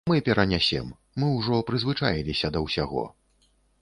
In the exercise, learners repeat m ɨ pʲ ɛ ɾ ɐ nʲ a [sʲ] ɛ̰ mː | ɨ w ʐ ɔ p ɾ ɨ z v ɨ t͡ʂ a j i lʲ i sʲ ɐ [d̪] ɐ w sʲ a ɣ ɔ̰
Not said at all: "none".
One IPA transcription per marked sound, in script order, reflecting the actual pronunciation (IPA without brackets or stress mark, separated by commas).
sʲ, d̪